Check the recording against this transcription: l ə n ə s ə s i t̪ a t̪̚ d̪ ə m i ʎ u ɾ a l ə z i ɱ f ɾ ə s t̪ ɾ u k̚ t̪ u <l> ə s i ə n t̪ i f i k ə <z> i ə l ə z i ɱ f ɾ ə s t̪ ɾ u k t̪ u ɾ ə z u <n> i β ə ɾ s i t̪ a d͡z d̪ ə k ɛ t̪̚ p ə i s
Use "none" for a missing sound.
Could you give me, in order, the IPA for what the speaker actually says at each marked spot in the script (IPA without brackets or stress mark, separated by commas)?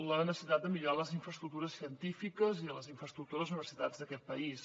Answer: ɾ, z, n